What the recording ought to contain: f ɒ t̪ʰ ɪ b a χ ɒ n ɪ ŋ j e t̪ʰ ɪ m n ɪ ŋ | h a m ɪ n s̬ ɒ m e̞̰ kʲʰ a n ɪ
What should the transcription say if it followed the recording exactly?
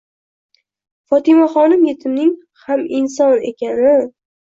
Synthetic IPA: f ɒ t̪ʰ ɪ m a χ ɒ n ɪ m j e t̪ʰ ɪ m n ɪ ŋ | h a m ɪ n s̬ ɒ n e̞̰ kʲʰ a n ɪ